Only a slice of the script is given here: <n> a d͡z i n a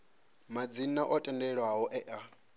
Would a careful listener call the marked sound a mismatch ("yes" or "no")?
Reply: yes